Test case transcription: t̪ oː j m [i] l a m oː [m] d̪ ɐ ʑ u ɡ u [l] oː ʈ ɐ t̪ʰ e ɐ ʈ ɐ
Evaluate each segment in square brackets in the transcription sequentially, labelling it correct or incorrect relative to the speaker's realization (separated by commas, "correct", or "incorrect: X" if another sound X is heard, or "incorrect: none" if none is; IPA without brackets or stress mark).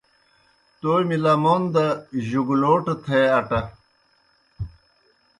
correct, incorrect: n, correct